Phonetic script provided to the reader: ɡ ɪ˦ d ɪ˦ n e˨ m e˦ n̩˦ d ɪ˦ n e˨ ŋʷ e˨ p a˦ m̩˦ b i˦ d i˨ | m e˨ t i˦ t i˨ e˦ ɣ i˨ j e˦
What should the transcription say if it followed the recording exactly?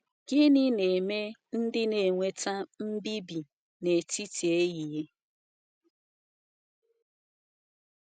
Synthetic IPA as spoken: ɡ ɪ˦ n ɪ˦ n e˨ m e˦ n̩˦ d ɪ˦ n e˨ ŋʷ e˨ t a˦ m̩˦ b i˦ b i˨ | n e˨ t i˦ t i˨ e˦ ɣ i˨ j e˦

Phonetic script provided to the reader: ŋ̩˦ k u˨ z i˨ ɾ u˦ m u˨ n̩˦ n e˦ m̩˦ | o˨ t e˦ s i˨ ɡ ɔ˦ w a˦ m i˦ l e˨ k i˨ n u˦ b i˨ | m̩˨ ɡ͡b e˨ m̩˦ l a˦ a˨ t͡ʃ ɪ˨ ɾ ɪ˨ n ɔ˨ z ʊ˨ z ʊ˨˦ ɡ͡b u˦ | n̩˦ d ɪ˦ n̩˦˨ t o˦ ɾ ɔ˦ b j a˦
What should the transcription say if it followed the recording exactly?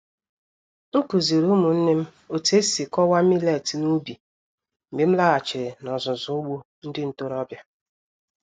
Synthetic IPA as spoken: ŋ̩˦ k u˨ z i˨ ɾ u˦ m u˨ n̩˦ n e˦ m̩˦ | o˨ t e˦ s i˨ k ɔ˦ w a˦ m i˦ l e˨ t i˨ n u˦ b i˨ | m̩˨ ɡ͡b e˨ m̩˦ l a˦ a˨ t͡ʃ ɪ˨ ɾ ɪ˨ n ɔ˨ z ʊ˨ z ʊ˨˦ ɡ͡b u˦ | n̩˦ d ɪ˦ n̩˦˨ t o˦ ɾ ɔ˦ b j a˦

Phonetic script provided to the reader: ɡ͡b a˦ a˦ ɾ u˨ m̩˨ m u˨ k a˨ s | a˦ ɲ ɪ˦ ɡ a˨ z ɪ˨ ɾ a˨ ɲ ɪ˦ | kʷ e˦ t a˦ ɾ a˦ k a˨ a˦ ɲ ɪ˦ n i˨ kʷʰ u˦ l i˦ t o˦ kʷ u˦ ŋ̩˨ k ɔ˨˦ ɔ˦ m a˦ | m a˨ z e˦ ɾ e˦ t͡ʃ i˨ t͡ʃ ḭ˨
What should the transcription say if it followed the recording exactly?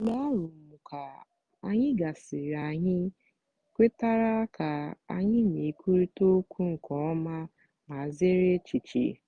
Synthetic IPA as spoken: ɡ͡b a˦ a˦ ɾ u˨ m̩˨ m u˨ k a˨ | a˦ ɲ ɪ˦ ɡ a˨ s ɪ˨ ɾ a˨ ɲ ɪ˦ | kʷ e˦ t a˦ ɾ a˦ k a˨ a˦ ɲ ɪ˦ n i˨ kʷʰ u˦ ɾ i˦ t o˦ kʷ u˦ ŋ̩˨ k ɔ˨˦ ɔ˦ m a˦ | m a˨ z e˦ ɾ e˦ t͡ʃ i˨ t͡ʃ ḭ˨

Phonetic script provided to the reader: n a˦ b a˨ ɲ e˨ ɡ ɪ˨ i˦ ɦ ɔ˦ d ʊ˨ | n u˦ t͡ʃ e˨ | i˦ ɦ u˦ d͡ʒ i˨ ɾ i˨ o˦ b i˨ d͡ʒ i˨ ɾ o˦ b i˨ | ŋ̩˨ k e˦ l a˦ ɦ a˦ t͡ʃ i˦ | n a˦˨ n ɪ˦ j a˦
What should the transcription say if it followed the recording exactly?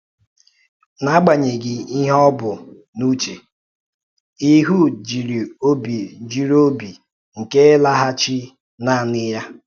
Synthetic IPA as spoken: n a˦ ɡ͡b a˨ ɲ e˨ ɡ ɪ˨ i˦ ɦ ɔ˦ b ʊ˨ | n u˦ t͡ʃ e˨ | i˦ ɦ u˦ d͡ʒ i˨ ɾ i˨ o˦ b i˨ d͡ʒ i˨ ɾ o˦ b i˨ | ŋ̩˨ k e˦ l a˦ ɦ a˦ t͡ʃ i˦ | n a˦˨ n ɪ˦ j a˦

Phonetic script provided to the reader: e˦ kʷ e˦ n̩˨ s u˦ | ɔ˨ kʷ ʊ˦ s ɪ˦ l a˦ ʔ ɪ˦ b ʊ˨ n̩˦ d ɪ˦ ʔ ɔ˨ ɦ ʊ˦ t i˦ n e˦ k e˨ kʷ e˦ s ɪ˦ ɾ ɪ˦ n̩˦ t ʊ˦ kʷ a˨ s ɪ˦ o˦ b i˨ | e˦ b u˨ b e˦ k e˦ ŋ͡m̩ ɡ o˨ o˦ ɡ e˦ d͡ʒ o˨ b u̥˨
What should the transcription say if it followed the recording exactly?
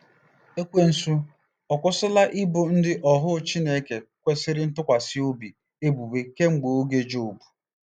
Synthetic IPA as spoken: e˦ kʷ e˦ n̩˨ s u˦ | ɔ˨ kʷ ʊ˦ s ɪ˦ l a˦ ʔ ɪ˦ b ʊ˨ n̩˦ d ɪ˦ ʔ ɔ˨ ɦ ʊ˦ t͡ʃ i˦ n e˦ k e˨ kʷ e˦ s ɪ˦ ɾ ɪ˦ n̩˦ t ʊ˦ kʷ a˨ s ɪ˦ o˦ b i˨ | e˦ b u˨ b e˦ k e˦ ŋ͡m̩ ɡ͡b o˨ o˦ ɡ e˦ d͡ʒ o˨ b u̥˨

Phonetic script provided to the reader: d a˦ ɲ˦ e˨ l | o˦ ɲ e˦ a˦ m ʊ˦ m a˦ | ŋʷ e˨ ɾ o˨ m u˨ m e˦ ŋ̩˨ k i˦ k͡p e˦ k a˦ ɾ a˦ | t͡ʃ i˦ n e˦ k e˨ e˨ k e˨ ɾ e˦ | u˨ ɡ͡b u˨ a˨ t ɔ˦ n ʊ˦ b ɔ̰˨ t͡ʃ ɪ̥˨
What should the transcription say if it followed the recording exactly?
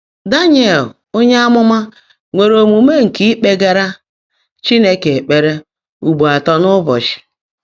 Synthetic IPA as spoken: d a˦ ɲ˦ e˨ l | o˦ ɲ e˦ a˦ m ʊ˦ m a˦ | ŋʷ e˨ ɾ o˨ m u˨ m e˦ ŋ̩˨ k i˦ k͡p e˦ ɡ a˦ ɾ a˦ | t͡ʃ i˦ n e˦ k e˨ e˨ k͡p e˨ ɾ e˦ | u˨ ɡ͡b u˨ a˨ t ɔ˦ n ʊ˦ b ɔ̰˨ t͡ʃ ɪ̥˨

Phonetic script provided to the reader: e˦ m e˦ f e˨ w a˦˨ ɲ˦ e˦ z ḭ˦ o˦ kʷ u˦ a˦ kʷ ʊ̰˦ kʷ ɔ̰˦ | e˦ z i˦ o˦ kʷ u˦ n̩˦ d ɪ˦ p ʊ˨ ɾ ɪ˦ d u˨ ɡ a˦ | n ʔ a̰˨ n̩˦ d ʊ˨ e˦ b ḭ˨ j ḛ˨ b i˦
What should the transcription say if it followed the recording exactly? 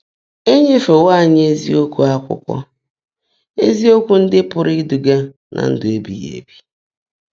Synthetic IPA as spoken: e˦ ɲ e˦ f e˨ w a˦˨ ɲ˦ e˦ z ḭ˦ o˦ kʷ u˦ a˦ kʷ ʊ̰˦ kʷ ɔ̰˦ | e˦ z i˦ o˦ kʷ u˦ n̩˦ d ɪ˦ p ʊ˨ ɾ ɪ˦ d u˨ ɡ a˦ | n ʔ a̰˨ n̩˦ d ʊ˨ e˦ b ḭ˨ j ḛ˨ b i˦

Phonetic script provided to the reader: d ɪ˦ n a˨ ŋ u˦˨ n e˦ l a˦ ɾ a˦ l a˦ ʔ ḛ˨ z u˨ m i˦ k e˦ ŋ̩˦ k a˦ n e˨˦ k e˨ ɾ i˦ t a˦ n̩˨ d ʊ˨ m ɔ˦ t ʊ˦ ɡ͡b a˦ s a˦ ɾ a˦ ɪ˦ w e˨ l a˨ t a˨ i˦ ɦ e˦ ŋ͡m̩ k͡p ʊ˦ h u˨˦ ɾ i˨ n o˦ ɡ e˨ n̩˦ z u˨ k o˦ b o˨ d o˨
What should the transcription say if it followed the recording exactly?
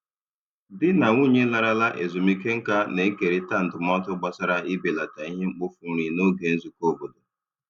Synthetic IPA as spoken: d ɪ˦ n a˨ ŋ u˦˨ ɲ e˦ l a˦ ɾ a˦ l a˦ ʔ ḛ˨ z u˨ m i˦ k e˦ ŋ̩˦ k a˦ n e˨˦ k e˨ ɾ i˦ t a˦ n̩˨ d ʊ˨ m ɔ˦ t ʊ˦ ɡ͡b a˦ s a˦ ɾ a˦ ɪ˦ b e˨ l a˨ t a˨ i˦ ɦ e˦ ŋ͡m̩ k͡p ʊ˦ f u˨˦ ɾ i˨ n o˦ ɡ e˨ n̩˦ z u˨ k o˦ b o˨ d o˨

